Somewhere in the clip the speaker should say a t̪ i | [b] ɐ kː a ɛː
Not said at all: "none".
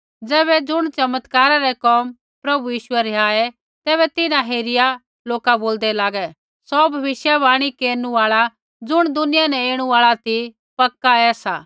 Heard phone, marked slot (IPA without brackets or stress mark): p